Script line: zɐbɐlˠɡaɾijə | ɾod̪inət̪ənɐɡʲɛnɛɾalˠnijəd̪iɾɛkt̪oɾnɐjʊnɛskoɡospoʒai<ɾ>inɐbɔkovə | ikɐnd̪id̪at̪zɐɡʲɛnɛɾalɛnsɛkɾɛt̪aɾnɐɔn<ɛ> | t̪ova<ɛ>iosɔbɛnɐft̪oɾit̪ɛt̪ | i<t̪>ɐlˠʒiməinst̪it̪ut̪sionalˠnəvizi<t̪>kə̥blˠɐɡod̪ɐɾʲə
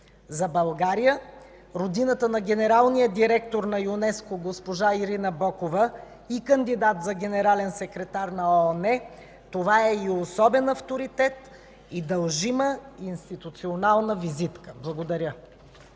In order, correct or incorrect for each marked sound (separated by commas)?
correct, correct, correct, incorrect, correct